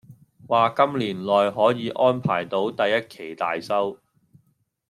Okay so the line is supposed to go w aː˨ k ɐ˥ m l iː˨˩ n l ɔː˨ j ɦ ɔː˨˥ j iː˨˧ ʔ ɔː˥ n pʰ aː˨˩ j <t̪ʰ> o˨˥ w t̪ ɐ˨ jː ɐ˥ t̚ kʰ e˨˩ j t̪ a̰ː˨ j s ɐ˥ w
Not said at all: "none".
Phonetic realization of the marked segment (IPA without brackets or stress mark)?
t̪